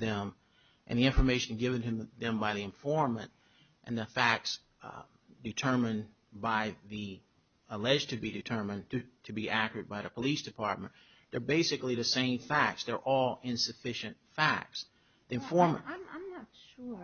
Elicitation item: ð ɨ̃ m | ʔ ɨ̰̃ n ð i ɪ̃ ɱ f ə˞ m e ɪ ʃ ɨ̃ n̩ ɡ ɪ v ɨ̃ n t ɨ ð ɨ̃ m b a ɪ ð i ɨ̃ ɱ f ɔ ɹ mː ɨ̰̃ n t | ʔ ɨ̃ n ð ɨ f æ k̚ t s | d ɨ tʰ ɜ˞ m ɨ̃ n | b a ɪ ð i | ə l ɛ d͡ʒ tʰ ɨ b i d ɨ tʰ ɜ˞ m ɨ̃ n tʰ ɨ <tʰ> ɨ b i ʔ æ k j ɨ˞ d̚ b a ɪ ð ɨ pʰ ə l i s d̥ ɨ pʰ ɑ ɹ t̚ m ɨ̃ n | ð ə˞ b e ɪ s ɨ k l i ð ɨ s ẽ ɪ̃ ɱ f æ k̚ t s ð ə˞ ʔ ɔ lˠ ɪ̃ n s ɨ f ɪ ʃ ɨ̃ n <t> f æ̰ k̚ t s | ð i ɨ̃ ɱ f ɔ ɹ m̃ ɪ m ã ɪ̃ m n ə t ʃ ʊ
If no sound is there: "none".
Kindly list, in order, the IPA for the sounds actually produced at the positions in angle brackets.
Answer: tʰ, t

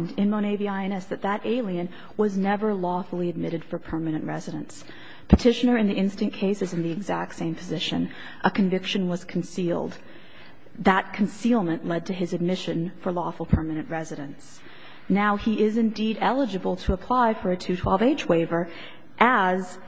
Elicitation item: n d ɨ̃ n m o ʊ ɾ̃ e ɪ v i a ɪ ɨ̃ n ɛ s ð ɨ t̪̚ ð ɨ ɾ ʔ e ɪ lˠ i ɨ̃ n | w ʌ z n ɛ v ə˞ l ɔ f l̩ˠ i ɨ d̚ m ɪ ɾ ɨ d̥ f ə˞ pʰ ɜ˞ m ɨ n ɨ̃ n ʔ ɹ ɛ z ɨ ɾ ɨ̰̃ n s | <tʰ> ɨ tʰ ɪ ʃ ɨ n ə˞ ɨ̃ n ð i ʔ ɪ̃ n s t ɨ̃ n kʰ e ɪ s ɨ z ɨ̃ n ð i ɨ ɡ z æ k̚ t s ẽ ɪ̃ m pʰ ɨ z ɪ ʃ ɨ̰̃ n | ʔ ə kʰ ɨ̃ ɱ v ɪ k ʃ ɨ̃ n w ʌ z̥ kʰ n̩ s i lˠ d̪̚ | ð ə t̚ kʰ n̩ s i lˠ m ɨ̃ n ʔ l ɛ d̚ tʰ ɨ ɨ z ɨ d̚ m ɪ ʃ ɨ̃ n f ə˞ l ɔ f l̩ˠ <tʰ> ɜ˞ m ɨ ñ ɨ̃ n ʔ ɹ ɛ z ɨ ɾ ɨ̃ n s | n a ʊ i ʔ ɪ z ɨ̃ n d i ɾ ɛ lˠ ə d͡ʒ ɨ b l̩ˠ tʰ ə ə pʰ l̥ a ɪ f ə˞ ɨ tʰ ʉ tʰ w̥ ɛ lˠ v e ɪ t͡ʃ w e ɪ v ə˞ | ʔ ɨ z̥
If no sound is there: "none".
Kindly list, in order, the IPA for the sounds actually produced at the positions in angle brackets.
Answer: pʰ, pʰ

